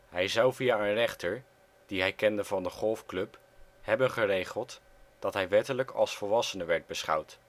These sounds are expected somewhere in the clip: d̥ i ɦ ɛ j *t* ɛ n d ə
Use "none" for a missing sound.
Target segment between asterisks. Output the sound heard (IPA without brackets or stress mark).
k